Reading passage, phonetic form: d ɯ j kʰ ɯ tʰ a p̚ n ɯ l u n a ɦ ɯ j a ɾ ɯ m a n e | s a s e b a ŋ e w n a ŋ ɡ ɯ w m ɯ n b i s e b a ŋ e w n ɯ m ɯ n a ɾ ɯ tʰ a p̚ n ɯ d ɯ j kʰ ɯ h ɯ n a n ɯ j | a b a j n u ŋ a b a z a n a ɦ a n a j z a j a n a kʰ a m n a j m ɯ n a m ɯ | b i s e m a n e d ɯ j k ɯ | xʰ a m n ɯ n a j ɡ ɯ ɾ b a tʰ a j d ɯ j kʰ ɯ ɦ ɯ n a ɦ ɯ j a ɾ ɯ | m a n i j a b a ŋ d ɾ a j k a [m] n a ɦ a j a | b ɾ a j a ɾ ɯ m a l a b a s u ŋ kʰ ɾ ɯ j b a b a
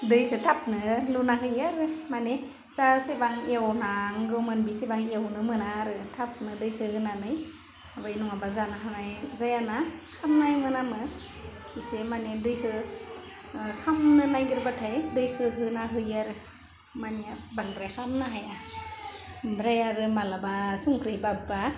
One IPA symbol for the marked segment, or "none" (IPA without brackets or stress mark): m